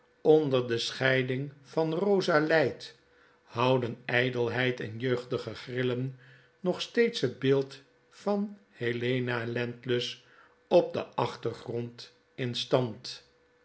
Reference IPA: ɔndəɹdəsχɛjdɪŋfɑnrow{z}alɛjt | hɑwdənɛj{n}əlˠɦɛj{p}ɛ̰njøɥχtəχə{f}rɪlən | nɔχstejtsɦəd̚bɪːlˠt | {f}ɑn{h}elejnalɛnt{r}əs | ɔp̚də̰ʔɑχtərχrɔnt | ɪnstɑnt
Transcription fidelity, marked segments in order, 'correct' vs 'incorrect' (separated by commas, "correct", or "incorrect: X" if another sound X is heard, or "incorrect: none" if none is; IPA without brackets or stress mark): correct, incorrect: d, incorrect: t, incorrect: χ, correct, correct, incorrect: l